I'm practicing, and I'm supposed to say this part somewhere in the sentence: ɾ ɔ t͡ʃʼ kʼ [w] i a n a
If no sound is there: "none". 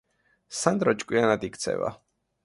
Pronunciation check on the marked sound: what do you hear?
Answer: w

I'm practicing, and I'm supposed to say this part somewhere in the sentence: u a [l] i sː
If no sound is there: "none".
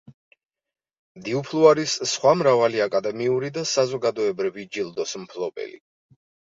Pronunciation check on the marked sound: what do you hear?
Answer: ɾ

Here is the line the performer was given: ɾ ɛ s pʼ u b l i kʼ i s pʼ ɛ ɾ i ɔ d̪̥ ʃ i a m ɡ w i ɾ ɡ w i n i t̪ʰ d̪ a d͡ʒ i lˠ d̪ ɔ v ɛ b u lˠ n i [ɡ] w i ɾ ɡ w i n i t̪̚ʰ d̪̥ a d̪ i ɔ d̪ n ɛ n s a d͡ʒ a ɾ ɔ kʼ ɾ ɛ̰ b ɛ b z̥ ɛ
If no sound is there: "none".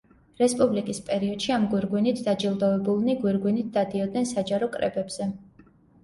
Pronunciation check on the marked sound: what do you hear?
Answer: ɡ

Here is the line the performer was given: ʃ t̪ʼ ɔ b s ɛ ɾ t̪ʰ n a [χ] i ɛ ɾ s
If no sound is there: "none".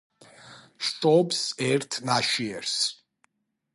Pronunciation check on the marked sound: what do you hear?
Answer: ʃ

